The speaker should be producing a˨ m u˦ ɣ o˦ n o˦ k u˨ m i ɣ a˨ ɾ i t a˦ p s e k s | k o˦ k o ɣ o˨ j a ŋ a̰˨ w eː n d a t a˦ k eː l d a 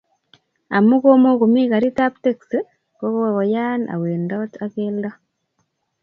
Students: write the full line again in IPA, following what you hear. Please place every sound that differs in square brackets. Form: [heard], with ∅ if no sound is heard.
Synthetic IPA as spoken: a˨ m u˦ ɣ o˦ [m] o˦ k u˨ m i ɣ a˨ ɾ i t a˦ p [t] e k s | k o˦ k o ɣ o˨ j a [n] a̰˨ w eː n d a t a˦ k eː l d a